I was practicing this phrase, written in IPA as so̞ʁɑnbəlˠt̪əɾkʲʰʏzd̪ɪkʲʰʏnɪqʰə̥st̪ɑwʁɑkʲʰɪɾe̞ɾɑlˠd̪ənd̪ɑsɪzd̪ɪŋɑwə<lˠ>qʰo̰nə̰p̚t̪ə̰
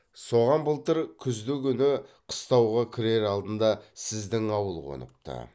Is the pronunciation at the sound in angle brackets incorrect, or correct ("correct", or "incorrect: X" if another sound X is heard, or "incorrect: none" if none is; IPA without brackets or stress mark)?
correct